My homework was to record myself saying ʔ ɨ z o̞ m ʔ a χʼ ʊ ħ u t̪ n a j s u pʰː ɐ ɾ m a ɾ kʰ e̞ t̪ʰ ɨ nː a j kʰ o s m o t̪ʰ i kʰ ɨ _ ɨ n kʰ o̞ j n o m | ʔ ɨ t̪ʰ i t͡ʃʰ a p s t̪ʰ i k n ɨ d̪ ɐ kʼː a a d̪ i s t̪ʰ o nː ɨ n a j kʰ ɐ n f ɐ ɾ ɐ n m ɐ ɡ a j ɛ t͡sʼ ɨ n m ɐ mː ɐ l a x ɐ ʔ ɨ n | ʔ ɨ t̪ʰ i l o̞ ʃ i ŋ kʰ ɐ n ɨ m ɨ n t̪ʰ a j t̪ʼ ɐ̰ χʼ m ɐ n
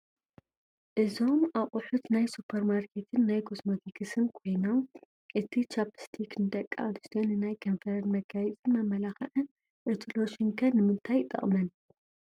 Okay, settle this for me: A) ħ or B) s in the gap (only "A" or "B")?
B